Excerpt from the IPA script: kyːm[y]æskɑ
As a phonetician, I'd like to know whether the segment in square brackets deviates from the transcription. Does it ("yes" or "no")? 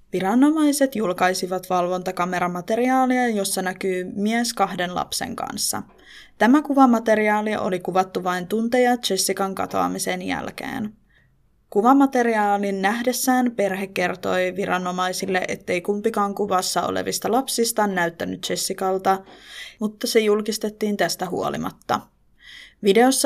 yes